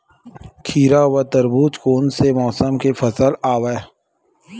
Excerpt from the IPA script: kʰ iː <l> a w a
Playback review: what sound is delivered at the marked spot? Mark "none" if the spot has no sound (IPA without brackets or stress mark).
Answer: ɾ